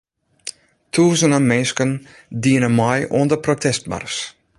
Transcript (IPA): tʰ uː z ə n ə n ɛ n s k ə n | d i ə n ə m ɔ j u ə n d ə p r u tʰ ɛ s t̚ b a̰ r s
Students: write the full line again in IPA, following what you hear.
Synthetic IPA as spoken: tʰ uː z ə n ə m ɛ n s k ə n | d i ə n ə m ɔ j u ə n d ə p r o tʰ ɛ s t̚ m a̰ r s